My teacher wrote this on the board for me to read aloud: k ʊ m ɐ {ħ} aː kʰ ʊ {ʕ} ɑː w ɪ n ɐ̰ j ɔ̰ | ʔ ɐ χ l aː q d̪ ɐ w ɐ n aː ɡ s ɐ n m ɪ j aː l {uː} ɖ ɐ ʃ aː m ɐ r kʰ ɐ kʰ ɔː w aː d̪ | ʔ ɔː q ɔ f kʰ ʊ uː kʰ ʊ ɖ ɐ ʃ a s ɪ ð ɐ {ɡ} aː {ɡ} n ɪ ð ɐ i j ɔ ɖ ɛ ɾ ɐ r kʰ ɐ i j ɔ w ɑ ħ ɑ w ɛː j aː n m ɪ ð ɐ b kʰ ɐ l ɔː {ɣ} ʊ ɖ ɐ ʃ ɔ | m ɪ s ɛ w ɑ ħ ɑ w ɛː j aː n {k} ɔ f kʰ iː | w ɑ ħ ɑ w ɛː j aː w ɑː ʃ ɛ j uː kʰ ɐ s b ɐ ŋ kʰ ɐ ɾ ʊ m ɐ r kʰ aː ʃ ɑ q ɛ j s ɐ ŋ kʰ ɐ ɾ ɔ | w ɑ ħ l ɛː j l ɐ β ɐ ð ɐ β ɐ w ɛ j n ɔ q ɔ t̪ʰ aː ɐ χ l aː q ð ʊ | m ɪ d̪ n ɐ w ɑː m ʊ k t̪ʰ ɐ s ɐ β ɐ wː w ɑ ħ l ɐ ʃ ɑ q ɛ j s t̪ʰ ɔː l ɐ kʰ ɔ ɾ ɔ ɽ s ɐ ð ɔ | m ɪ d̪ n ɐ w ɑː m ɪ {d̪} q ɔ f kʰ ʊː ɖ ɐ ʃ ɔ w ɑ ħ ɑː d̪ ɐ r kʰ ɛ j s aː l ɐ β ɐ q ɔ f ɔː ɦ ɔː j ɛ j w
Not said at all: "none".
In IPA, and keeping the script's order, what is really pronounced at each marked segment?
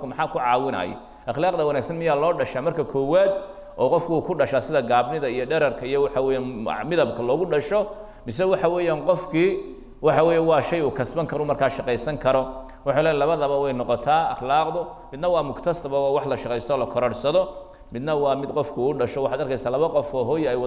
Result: ħ, ʕ, ɔː, ɡ, b, ɣ, q, d̪

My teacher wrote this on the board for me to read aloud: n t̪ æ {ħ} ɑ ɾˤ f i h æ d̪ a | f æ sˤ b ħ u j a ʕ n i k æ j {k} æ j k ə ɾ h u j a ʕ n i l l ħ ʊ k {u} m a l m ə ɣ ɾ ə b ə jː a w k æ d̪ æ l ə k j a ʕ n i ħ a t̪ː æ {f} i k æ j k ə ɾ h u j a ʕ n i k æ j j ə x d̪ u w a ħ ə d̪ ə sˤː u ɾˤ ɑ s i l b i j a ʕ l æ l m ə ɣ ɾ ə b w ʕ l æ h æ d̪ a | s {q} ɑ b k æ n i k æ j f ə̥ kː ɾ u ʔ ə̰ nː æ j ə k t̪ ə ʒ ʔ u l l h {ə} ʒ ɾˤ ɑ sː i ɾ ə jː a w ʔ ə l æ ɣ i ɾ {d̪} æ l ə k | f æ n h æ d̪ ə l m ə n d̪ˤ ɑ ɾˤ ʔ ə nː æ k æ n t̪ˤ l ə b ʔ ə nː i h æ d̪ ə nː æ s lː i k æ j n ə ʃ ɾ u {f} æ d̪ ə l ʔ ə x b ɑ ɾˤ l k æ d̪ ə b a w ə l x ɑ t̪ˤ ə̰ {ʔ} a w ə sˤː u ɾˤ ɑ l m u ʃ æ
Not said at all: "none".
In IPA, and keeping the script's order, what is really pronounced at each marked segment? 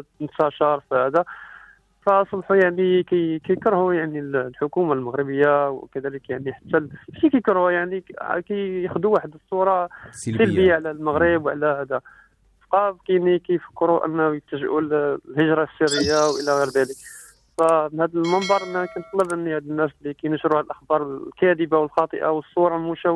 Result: ʃ, k, u, ʃ, q, ə, d̪, h, ʔ

